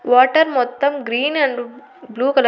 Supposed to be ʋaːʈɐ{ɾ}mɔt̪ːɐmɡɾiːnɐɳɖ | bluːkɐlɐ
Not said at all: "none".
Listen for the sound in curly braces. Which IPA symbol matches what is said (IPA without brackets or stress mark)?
ɾ